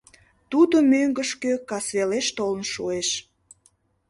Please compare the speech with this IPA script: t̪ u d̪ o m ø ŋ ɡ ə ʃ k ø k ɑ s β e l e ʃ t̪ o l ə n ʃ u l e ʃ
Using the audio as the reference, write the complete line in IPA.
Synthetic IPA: t̪ u d̪ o m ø ŋ ɡ ə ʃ k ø k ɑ s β e l e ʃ t̪ o l ə n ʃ u e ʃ